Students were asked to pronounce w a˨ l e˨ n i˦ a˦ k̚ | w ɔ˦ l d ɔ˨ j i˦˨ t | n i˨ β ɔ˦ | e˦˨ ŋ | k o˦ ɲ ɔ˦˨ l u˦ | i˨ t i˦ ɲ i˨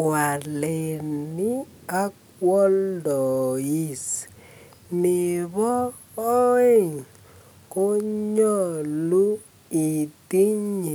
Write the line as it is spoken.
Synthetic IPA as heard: w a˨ l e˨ n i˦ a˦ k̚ | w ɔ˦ l d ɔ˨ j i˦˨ s | n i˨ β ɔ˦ | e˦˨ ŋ | k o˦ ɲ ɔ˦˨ l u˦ | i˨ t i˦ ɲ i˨

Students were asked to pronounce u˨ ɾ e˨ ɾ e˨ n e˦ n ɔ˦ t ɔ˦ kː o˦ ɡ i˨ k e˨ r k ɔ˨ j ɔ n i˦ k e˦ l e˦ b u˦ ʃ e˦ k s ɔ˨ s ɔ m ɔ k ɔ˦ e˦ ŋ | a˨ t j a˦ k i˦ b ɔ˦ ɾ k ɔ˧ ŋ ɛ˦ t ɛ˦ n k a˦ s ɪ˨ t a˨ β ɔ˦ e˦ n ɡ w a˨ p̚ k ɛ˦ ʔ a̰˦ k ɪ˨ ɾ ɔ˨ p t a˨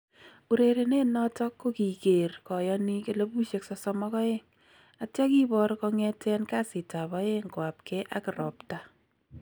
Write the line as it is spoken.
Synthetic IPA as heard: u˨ ɾ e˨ ɾ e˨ n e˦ n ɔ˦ t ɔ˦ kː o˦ k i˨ k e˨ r k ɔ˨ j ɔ n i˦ k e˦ l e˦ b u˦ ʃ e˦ k s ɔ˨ s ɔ m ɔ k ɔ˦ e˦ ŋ | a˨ t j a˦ k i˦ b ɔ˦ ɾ k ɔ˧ ŋ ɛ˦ t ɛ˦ n k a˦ s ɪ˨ t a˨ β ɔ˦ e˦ ŋ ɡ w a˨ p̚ k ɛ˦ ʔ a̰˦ k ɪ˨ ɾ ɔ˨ p t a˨

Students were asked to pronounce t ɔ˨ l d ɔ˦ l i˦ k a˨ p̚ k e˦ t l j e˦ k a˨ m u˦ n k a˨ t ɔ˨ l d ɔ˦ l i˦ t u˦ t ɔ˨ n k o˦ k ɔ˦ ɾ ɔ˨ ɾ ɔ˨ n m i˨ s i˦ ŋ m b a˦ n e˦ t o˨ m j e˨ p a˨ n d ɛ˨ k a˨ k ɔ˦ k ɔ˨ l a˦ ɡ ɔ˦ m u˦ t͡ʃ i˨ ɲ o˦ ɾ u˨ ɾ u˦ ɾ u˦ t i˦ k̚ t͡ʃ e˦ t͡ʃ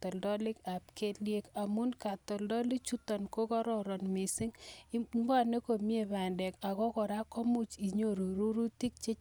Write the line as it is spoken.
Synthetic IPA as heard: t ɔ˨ l d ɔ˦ l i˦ k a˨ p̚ k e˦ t l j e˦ k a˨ m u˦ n k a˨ t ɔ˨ l d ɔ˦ l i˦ t͡ʃ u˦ t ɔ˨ n k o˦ k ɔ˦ ɾ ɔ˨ ɾ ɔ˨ n m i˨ s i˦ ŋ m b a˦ n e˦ k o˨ m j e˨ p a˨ n d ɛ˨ k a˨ k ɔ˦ k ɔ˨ ɾ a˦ k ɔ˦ m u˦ t͡ʃ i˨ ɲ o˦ ɾ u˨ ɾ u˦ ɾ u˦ t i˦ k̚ t͡ʃ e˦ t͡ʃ

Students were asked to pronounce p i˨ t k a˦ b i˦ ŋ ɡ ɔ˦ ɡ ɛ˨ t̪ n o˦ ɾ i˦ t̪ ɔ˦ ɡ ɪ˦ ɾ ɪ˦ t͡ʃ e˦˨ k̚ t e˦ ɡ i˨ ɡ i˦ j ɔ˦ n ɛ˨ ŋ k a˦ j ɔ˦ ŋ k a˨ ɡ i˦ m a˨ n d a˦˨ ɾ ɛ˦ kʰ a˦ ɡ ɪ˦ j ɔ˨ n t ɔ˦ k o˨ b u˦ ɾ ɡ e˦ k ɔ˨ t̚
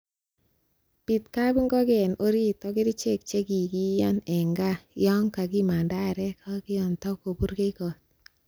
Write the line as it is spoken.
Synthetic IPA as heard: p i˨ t k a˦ b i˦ ŋ ɡ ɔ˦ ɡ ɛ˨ n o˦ ɾ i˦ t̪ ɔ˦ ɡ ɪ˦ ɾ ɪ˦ t͡ʃ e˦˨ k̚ t͡ʃ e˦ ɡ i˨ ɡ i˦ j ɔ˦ n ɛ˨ ŋ ɡ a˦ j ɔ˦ ŋ k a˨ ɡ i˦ m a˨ n d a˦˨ ɾ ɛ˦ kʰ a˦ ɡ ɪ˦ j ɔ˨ n t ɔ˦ k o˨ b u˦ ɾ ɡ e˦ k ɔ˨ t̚

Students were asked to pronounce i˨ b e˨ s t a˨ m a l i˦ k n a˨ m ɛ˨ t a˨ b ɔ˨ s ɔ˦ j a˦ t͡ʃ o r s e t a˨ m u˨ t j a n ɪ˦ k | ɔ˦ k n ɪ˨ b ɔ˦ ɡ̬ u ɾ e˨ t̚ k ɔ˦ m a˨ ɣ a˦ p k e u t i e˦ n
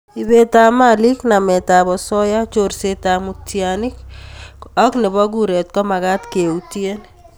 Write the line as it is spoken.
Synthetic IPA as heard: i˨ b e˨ t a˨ m a l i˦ k n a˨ m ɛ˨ t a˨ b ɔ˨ s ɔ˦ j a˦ t͡ʃ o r s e t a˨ m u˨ t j a n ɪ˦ k | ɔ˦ k n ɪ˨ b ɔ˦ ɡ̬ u ɾ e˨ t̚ k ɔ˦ m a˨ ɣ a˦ t k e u t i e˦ n

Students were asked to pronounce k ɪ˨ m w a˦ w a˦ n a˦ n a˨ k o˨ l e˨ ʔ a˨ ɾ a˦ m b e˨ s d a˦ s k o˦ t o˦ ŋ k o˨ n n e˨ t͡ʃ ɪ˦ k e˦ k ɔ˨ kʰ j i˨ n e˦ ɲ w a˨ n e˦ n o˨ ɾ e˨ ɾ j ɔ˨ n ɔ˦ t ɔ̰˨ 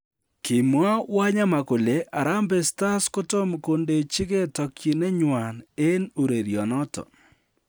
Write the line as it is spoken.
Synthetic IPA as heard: k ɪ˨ m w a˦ w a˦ ɲ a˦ m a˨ k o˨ l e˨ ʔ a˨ ɾ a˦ m b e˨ s t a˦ s k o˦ t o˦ m k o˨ n d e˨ t͡ʃ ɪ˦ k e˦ t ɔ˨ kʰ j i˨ n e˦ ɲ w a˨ n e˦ n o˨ ɾ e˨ ɾ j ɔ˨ n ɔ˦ t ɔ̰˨

